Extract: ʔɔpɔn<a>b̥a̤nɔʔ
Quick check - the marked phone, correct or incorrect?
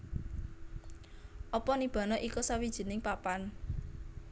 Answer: incorrect